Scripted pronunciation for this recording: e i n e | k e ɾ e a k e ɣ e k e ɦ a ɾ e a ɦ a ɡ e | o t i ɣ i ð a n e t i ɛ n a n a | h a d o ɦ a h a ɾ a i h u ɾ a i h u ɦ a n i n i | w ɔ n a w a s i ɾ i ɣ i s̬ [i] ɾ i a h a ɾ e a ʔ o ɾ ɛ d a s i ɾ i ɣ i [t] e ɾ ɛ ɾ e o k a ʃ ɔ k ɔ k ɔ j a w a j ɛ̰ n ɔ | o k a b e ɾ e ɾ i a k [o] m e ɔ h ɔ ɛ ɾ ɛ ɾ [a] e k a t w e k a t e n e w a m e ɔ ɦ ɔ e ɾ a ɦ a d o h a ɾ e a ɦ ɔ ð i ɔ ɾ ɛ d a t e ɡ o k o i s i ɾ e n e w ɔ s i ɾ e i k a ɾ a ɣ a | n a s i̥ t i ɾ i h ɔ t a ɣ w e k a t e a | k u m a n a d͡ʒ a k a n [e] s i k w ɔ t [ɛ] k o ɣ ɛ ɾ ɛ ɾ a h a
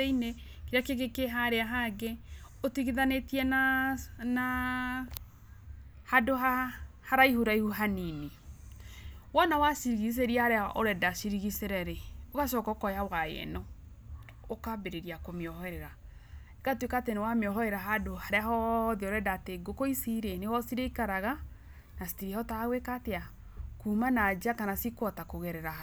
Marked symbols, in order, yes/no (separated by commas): no, no, yes, yes, no, no